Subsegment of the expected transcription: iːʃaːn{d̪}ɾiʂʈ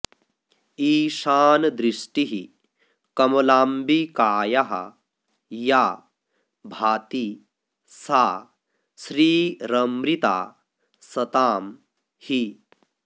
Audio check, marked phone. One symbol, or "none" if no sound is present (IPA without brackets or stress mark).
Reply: d̪